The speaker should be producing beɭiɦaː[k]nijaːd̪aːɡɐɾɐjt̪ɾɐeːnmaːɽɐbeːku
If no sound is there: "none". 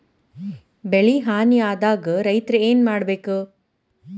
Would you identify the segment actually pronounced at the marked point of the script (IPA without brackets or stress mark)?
none